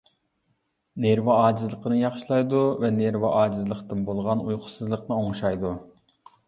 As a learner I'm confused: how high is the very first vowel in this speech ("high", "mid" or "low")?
mid